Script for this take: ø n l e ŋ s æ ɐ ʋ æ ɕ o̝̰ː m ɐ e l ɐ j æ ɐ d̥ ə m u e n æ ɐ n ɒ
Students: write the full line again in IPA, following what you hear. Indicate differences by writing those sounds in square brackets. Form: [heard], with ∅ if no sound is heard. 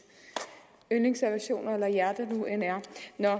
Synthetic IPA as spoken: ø n l e ŋ s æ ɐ ʋ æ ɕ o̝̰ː [n] ɐ e l ɐ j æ ɐ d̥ ə [n] u e n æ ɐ n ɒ